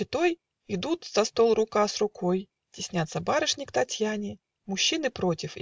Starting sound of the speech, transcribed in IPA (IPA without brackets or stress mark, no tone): ɪ